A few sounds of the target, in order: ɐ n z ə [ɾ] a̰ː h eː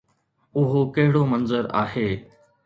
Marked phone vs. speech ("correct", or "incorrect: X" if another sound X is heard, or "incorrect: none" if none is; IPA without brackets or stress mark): correct